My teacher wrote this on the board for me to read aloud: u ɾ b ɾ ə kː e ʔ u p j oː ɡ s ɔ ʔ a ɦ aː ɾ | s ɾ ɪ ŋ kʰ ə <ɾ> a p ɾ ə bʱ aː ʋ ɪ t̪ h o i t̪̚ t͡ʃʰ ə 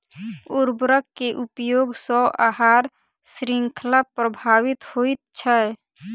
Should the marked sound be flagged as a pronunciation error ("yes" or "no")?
yes